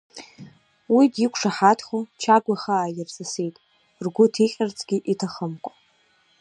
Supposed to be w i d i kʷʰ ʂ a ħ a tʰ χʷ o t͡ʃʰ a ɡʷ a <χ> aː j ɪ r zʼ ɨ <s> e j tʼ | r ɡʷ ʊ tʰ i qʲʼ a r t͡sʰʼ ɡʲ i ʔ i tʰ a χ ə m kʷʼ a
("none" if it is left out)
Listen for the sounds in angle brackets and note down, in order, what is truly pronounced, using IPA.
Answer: χ, s

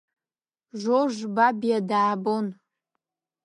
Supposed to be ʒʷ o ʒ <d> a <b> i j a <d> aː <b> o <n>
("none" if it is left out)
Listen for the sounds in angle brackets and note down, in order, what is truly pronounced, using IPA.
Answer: b, b, d, b, n

